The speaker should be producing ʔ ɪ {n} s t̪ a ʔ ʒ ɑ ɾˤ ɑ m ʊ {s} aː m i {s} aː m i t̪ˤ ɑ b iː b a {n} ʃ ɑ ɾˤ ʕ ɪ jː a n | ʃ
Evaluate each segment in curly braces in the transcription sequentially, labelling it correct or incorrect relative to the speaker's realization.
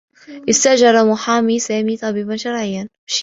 incorrect, incorrect, correct, correct

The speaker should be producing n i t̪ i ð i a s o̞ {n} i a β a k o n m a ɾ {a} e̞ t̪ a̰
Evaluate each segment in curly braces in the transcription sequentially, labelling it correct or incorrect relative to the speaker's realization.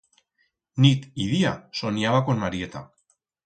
correct, incorrect

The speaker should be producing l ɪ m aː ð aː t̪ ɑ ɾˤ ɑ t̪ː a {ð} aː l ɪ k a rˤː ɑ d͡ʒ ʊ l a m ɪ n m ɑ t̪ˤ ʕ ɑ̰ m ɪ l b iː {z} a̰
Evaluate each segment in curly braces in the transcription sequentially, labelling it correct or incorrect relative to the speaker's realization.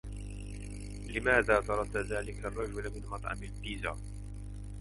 correct, correct

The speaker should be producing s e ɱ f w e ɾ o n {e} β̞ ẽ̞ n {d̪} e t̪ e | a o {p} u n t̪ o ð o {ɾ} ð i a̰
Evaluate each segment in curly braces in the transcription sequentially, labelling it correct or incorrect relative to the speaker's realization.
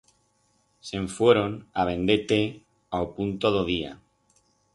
incorrect, correct, correct, incorrect

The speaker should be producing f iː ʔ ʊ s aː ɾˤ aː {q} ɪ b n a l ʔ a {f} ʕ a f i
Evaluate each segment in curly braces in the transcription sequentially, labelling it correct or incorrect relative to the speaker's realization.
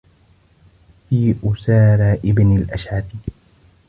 incorrect, incorrect

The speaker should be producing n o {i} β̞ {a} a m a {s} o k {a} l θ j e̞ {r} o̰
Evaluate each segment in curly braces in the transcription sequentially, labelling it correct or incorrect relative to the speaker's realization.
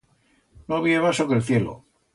incorrect, incorrect, correct, incorrect, incorrect

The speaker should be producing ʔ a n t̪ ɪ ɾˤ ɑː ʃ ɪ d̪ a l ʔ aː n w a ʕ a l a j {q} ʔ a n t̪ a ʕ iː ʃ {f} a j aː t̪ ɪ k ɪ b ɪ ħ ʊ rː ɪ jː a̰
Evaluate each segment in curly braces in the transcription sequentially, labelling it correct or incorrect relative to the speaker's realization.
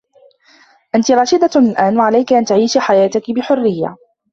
incorrect, incorrect

